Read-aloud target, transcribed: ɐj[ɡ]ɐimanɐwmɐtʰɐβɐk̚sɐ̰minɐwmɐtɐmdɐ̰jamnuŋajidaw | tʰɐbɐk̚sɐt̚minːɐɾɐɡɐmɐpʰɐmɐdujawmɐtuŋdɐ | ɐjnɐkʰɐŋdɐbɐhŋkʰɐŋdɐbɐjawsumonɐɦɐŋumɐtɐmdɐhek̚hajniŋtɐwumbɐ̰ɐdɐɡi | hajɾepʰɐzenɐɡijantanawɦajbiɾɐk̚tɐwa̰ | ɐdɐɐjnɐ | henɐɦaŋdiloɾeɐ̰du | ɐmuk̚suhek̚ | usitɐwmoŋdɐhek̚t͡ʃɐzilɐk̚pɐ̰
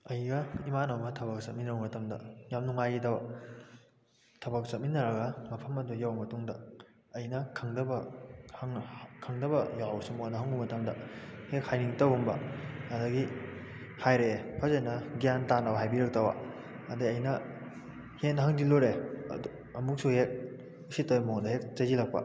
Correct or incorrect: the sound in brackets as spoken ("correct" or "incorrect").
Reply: correct